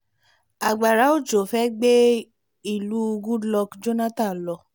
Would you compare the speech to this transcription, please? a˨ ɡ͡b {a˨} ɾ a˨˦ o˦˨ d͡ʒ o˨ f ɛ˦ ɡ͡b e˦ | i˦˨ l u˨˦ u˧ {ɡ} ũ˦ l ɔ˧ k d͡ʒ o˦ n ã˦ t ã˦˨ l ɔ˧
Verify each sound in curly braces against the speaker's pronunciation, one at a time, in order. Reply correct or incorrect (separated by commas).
correct, correct